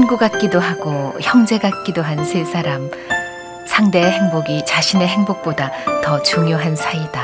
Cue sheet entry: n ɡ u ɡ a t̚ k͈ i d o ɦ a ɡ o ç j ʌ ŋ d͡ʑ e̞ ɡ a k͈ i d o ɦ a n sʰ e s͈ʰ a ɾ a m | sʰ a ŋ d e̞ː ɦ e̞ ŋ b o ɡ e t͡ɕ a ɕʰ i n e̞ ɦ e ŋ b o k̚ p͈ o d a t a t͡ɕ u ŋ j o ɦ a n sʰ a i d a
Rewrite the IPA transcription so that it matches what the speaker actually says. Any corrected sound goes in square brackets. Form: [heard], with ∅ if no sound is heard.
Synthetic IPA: n ɡ u ɡ a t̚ k͈ i d o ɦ a ɡ o ç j ʌ ŋ d͡ʑ e̞ ɡ a k͈ i d o ɦ a n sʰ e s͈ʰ a ɾ a m | sʰ a ŋ d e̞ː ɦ e̞ ŋ b o ɡ [i] t͡ɕ a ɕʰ i n e̞ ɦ e ŋ b o k̚ p͈ o d a t [ʌ] t͡ɕ u ŋ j o ɦ a n sʰ a i d a

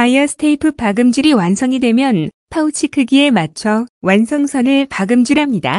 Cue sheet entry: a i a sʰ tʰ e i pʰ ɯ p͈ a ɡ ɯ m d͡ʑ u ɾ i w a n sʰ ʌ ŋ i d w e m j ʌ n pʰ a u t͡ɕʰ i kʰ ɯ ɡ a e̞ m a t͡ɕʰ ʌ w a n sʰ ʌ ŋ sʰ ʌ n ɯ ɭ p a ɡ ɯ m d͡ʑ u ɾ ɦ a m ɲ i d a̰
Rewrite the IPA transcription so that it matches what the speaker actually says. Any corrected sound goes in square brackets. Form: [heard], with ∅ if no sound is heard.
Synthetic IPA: a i [ʌ] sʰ tʰ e i pʰ ɯ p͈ a ɡ ɯ m d͡ʑ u ɾ i w a n sʰ ʌ ŋ i d w e m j ʌ n pʰ a u t͡ɕʰ i kʰ ɯ ɡ [i] e̞ m a t͡ɕʰ ʌ w a n sʰ ʌ ŋ sʰ ʌ n ɯ ɭ p a ɡ ɯ m d͡ʑ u ɾ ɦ a m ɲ i d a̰

